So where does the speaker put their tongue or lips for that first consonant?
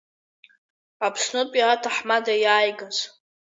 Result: lips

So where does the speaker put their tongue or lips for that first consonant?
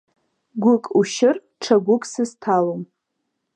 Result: velum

